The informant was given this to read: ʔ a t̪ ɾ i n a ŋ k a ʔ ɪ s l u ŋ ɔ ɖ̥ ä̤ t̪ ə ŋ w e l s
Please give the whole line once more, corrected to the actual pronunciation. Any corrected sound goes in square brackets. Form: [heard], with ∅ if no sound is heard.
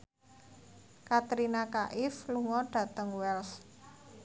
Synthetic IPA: [k] a t̪ ɾ i n a [∅] k a ʔ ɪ [f] l u ŋ ɔ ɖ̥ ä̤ t̪ ə ŋ w [ɛ] l s